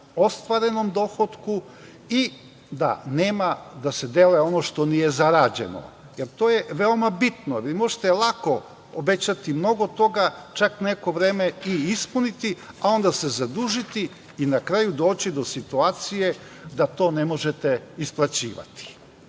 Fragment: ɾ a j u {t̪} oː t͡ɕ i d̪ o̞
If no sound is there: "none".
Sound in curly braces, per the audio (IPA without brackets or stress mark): d̪